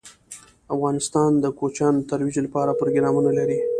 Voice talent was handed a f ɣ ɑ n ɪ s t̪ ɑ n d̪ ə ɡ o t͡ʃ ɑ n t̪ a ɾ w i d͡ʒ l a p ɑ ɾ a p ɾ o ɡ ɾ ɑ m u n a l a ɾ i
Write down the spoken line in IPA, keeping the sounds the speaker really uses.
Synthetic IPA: a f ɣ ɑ n ɪ s t̪ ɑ n d̪ ə k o t͡ʃ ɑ n t̪ a ɾ w i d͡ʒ l a p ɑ ɾ a p ɾ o ɡ ɾ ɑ m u n a l a ɾ i